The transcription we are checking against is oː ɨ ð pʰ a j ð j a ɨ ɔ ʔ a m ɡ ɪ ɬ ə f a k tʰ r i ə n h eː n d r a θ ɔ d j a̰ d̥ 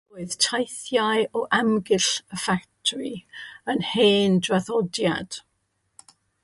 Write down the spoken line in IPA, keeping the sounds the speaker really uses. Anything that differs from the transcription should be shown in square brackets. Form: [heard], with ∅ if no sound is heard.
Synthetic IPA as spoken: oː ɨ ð [tʰ] a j [θ] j a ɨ ɔ ʔ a m ɡ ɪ ɬ ə f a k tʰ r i ə n h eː n d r a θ ɔ d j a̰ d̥